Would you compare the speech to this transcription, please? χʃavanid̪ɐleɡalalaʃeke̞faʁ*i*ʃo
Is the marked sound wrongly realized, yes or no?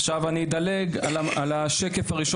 no